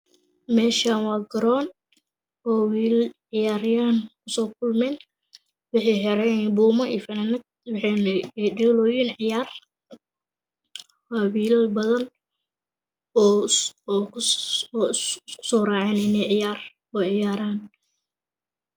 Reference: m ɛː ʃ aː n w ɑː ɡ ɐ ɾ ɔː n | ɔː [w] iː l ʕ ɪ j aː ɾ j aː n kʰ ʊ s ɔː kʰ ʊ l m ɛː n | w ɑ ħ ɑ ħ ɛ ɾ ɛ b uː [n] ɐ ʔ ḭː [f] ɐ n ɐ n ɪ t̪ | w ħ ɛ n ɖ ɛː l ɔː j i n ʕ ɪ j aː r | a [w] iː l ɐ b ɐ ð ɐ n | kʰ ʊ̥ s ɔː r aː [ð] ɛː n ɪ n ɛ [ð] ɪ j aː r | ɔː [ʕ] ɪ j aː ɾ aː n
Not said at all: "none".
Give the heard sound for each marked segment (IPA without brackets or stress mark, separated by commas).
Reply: w, m, f, w, ʕ, ʕ, ʕ